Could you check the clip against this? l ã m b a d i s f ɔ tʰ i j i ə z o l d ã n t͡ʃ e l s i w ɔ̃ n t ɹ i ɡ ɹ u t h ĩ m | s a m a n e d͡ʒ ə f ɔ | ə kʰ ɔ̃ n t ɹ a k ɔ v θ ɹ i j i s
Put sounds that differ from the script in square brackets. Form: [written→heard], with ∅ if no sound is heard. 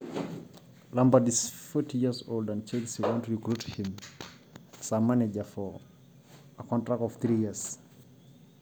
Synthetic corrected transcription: l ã m b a d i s f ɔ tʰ i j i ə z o l d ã n t͡ʃ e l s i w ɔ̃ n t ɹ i [ɡ→k] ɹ u t h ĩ m | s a m a n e d͡ʒ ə f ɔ | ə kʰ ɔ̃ n t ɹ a k ɔ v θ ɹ i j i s